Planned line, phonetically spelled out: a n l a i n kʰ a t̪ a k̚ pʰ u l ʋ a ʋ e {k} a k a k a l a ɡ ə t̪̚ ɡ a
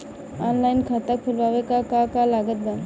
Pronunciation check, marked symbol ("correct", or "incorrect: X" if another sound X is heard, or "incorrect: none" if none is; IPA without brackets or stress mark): correct